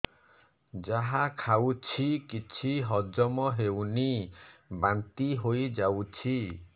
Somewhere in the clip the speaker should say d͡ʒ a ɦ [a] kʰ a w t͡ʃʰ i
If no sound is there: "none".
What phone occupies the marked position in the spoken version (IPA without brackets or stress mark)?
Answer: a